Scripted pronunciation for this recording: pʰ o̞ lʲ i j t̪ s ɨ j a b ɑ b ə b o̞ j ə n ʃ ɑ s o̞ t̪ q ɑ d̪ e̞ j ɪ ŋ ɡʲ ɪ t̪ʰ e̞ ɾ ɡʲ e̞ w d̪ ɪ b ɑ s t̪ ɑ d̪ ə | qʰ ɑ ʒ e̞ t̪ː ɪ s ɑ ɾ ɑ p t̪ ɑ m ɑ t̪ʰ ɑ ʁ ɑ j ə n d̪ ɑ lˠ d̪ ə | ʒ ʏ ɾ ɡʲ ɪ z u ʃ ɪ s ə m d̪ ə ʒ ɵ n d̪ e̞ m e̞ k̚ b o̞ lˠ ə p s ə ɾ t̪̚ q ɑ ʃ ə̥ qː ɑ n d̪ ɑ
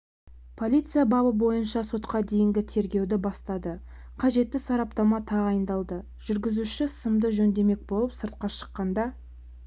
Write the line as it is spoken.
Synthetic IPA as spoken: pʰ o̞ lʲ i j t̪ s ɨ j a b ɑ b ə b o̞ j ə n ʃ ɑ s o̞ t̪ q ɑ d̪ e̞ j ɪ ŋ ɡʲ ɪ t̪ʰ e̞ ɾ ɡʲ e̞ w d̪ ɪ b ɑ s t̪ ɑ d̪ ə | qʰ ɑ ʒ e̞ t̪ː ɪ s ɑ ɾ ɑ p t̪ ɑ m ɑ t̪ʰ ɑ ʁ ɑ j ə n d̪ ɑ lˠ d̪ ə | ʒ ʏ ɾ ɡʲ ɪ z u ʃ ɪ s ə m d̪ ə ʒ ɵ n d̪ e̞ m e̞ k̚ b o̞ lˠ ə p s ə ɾ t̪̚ q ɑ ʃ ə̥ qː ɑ n d̪ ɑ